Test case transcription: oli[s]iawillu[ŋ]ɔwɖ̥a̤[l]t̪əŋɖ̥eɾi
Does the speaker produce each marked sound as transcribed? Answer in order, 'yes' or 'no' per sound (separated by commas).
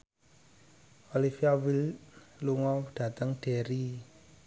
no, yes, no